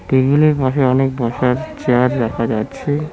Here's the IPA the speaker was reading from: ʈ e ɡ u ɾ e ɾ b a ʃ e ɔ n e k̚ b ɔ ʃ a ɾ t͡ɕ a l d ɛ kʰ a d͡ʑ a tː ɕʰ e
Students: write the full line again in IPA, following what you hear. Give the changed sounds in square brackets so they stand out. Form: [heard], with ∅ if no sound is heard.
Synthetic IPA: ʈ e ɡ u [l] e ɾ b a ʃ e ɔ n e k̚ b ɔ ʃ a ɾ t͡ɕ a [ɾ] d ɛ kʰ a d͡ʑ a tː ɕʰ e

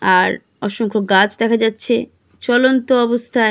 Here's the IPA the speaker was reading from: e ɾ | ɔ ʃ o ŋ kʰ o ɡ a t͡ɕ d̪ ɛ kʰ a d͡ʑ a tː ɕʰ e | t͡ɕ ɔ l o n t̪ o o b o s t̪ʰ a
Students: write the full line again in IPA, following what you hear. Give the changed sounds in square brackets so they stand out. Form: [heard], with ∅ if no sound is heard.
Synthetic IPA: [a] ɾ | ɔ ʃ o ŋ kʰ o ɡ a t͡ɕ d̪ ɛ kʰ a d͡ʑ a tː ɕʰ e | t͡ɕ ɔ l o n t̪ o [ɔ] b o s t̪ʰ a

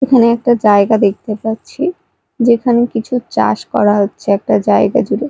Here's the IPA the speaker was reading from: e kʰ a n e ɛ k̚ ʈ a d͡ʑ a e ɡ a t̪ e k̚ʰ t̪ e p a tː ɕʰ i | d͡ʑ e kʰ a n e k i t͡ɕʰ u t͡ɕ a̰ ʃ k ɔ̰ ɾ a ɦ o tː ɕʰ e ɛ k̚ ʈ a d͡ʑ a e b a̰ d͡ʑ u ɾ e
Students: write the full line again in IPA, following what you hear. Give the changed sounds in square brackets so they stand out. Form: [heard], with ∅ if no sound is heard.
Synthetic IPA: e kʰ a n e ɛ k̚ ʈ a d͡ʑ a e ɡ a [d̪] e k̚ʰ t̪ e p a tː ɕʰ i | d͡ʑ e kʰ a n e k i t͡ɕʰ u t͡ɕ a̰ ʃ k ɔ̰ ɾ a ɦ o tː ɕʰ e ɛ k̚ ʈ a d͡ʑ a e [ɡ] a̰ d͡ʑ u ɾ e

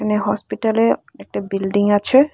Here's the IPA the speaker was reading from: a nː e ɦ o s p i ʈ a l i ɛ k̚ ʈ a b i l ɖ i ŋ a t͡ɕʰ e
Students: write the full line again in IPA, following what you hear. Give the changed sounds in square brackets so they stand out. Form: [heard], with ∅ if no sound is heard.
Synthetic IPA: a [n] e ɦ [ɔ] s p i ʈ a l [e] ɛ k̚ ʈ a b i l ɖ i ŋ a t͡ɕʰ e

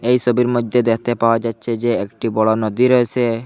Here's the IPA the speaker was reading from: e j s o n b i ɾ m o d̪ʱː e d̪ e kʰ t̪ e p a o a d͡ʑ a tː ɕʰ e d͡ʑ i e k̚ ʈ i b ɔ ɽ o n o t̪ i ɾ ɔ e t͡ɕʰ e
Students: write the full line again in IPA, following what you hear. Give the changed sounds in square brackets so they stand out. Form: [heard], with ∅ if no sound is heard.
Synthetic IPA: e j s o [∅] b i ɾ m o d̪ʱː e d̪ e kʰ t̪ e p a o a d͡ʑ a tː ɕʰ e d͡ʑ [e] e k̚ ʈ i b ɔ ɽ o n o [d̪] i ɾ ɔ e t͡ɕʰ e

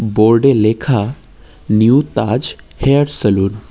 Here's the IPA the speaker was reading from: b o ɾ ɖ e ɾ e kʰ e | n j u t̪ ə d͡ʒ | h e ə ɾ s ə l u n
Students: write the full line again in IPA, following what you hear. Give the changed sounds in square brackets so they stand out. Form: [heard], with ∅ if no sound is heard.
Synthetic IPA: b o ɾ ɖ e [l] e kʰ [a] | n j u t̪ [a] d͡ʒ | h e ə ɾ s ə l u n

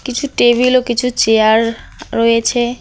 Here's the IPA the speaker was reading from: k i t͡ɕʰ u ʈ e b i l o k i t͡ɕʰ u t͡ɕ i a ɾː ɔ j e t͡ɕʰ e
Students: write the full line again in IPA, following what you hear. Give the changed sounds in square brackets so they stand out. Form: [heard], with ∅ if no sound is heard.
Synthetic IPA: k i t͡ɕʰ u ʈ e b i l o k i t͡ɕʰ u t͡ɕ [e] a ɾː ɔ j e t͡ɕʰ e

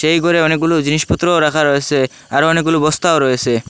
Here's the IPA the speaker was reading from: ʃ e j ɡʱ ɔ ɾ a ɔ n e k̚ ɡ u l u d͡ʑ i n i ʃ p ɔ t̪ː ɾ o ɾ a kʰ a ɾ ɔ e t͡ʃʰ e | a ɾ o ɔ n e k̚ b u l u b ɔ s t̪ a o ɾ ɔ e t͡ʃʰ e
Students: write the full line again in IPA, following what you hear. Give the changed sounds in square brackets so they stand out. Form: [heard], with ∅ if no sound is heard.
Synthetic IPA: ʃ e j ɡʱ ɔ ɾ [e] ɔ n e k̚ ɡ u l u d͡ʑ i n i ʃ p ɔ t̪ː ɾ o ɾ a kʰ a ɾ ɔ e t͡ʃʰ e | a ɾ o ɔ n e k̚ [ɡ] u l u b ɔ s t̪ a o ɾ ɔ e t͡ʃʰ e

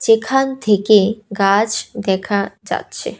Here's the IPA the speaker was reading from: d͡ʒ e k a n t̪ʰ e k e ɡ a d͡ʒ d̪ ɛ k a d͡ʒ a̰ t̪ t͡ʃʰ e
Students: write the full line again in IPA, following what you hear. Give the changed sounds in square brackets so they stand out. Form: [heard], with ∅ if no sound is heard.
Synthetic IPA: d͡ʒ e [kʰ] a n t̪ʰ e k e ɡ a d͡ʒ d̪ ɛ [kʰ] a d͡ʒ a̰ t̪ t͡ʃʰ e

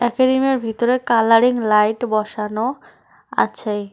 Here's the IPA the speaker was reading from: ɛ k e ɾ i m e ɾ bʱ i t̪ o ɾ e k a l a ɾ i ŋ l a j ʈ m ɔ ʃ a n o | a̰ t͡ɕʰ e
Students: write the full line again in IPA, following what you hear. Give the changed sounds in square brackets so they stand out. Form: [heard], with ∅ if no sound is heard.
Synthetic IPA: ɛ k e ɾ i m e ɾ bʱ i t̪ o ɾ e k a l a ɾ i ŋ l a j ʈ [b] ɔ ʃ a n o | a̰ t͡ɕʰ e

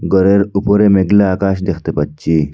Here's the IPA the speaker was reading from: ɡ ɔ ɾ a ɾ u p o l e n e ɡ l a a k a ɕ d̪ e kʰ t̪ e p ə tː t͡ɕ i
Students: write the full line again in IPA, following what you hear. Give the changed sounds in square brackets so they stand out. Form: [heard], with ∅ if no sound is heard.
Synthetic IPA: ɡ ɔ ɾ [e] ɾ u p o [ɾ] e [m] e ɡ l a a k a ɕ d̪ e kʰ t̪ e p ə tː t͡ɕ i

